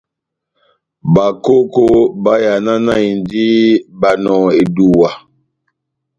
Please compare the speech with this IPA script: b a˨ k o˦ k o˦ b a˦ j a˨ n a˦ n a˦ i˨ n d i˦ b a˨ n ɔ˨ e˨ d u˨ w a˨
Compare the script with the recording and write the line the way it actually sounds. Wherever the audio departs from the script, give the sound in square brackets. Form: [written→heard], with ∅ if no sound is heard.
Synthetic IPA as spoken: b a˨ k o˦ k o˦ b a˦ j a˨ n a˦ n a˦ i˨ n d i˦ b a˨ n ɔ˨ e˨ d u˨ w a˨